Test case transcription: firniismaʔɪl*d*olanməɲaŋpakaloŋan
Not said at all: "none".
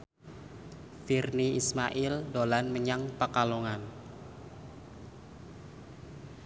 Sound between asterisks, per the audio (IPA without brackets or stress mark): d